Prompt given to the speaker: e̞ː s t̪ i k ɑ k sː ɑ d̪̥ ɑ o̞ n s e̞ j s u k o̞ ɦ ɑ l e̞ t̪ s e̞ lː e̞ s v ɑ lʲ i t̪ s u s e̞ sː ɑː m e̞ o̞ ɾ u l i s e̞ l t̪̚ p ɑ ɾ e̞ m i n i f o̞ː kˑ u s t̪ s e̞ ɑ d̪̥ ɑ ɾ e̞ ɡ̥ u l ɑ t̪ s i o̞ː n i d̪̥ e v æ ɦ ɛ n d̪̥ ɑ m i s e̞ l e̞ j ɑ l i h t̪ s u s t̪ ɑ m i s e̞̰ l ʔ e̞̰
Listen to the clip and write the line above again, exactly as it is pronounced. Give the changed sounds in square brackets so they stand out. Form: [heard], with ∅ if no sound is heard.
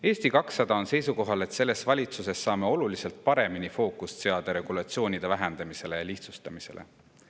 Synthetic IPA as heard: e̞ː s t̪ i k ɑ k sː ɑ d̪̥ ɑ o̞ n s e̞ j s u k o̞ ɦ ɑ l e̞ t̪ s e̞ lː e̞ s v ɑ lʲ i t̪ s u s e̞ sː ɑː m e̞ o̞ [l] u l i s e̞ l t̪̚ p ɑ ɾ e̞ m i n i f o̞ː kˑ u s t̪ s e̞ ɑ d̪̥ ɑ ɾ e̞ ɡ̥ u l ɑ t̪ s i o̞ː n i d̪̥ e v æ ɦ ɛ n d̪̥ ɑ m i s e̞ l e̞ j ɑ l i h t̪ s u s t̪ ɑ m i s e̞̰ l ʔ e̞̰